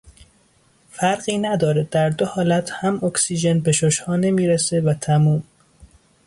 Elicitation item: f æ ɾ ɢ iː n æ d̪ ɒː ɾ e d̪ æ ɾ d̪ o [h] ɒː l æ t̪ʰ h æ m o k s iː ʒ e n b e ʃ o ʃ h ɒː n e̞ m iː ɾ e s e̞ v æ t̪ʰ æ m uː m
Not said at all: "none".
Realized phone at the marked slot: h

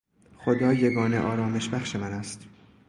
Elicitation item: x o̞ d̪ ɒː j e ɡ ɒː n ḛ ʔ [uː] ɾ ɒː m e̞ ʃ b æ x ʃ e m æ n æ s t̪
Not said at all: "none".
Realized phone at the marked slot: ɒː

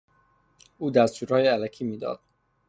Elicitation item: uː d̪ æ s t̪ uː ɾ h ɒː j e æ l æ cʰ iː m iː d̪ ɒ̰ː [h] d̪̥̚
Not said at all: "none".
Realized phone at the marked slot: none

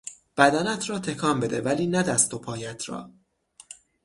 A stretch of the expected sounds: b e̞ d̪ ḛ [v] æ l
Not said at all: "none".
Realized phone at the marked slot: v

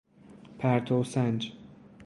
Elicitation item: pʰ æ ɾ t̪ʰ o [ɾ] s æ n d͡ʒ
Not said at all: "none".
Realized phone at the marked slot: none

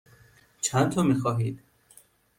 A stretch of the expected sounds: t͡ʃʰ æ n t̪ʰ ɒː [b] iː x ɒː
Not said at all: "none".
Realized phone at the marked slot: m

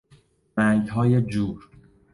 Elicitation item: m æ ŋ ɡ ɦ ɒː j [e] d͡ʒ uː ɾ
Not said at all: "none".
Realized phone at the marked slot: e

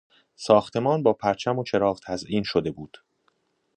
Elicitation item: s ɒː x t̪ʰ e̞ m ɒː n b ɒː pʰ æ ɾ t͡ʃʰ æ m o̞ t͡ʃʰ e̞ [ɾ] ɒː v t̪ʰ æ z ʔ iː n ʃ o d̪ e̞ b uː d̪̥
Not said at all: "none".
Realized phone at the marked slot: ɾ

